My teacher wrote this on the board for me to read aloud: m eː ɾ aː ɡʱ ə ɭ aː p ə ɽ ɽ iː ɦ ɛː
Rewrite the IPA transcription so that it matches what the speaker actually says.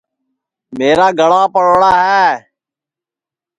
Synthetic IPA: m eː ɾ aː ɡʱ ə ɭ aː p ə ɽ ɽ aː ɦ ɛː